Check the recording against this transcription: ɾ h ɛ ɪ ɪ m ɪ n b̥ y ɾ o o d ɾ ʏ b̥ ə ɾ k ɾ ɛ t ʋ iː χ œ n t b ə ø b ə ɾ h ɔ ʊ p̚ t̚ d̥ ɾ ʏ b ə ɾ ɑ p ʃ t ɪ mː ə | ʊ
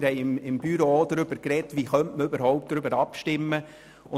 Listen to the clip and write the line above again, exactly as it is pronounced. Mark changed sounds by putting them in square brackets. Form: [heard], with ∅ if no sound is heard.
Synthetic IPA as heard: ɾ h ɛ ɪ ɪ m ɪ [m] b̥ y ɾ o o d ɾ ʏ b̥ ə ɾ k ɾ ɛ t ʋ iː χ œ n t [m] ə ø b ə ɾ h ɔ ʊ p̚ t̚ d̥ ɾ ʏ b ə ɾ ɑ p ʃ t ɪ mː ə | ʊ